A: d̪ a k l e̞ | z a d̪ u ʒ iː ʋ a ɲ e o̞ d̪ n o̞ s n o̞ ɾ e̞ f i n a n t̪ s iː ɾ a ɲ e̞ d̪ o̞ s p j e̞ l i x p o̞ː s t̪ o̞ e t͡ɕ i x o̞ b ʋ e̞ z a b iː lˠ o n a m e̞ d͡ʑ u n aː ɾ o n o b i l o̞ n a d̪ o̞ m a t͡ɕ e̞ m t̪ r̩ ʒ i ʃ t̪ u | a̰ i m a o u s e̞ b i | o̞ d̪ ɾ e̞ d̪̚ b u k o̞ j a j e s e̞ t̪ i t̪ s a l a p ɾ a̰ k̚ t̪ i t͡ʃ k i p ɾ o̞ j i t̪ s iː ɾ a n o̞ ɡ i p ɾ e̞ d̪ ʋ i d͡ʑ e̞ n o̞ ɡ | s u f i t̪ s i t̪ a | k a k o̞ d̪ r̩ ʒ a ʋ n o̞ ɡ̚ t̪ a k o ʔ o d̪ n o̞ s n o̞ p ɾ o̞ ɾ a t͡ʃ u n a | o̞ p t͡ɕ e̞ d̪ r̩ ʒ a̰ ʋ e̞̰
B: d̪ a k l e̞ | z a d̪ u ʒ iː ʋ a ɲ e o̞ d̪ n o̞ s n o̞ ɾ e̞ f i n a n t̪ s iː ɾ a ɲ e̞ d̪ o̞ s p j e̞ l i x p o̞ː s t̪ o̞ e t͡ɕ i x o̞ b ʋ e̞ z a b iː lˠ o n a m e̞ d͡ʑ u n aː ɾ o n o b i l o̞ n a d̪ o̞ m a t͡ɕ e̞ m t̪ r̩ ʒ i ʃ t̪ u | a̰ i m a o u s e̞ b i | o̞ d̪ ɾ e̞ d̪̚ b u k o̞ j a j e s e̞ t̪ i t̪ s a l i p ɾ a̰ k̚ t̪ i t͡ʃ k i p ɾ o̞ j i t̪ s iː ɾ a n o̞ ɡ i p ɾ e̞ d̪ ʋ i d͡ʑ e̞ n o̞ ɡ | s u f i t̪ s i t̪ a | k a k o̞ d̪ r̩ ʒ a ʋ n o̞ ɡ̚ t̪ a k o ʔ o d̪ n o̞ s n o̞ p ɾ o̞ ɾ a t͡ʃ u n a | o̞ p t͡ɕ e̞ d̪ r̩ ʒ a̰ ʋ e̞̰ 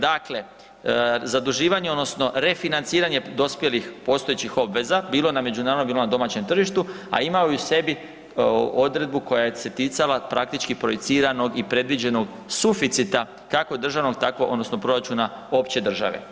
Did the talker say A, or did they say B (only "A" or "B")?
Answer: A